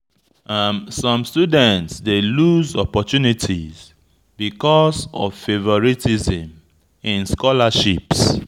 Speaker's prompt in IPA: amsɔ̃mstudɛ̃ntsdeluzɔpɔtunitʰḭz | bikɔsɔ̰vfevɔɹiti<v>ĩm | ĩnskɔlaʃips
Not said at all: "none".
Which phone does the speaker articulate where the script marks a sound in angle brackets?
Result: z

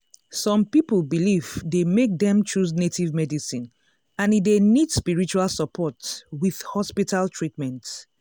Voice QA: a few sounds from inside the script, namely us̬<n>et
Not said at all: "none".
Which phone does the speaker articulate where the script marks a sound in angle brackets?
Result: n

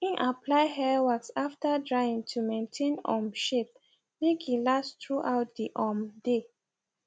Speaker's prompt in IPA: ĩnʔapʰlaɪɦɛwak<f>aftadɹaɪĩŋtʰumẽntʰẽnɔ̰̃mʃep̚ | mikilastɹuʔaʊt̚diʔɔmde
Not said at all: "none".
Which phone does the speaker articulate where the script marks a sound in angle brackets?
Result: s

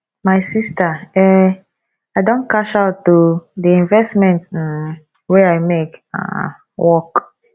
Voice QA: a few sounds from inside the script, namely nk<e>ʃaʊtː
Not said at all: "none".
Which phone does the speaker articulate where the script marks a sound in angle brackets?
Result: a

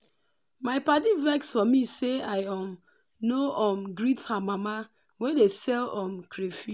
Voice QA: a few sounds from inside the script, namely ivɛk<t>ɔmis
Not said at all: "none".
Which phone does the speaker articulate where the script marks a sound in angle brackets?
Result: s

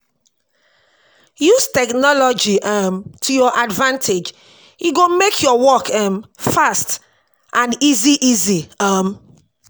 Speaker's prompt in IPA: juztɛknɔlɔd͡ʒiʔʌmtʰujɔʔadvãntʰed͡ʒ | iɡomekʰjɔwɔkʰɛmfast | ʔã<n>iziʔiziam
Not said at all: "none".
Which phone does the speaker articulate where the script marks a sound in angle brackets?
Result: n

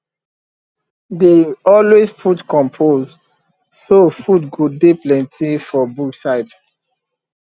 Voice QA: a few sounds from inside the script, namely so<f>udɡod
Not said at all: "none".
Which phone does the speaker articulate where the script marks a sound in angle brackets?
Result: f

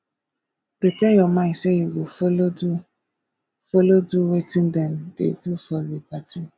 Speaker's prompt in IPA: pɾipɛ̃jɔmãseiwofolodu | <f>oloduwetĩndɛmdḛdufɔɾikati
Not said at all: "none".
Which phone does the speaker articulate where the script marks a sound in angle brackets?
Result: f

